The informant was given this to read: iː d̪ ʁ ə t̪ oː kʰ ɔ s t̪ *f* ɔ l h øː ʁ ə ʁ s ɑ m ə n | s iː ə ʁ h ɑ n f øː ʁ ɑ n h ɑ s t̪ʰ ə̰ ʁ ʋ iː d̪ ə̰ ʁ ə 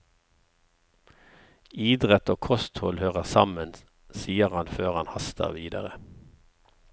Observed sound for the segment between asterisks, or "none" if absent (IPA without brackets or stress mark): h